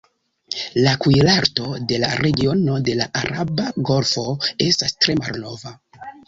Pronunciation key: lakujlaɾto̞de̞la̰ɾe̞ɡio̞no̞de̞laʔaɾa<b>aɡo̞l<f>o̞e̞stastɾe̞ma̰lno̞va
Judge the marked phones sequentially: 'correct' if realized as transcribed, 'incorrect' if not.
correct, correct

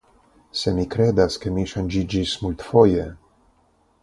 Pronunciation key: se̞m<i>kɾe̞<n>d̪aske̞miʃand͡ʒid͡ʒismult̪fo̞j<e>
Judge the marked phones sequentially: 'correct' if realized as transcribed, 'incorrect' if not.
correct, incorrect: none, correct

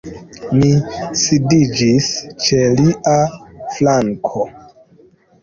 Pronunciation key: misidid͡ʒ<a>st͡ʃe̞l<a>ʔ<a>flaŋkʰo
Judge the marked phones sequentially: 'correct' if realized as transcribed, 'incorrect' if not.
incorrect: i, incorrect: i, correct

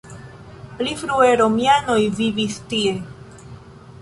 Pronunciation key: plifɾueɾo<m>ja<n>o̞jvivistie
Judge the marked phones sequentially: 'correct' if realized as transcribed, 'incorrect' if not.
correct, correct

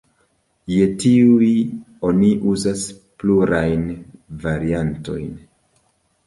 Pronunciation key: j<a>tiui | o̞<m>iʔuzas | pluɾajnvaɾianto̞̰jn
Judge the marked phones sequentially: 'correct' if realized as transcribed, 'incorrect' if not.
incorrect: e, incorrect: n

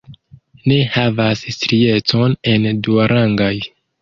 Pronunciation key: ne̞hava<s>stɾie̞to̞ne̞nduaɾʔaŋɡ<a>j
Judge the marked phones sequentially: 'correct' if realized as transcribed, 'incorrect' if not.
correct, correct

